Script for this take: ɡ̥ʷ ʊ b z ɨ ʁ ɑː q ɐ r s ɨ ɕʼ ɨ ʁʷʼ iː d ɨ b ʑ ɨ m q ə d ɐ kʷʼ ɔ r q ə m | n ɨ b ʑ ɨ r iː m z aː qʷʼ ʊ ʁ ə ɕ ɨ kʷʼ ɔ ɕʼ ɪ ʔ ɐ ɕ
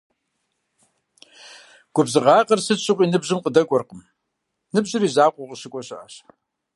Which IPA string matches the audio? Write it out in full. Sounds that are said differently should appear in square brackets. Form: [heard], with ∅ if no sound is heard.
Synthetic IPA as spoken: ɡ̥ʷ ʊ b z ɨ ʁ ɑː q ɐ r s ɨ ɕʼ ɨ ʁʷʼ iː [n] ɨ b ʑ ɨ m q ə d ɐ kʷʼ ɔ r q ə m | n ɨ b ʑ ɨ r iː [∅] z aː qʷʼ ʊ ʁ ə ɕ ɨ kʷʼ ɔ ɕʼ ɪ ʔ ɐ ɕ